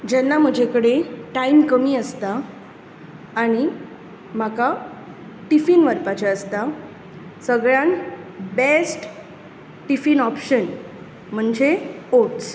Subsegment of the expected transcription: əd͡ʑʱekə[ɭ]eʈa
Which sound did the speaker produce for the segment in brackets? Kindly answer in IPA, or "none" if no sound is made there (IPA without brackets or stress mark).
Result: ɽ